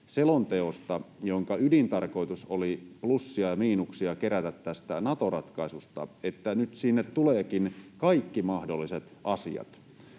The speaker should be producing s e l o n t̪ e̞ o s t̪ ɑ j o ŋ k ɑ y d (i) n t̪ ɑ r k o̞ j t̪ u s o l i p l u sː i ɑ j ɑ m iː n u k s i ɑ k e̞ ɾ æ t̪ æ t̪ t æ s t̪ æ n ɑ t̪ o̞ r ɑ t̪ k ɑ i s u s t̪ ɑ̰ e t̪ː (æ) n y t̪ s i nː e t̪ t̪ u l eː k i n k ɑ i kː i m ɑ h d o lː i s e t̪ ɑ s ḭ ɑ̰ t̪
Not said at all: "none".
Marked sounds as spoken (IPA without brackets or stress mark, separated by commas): i, æ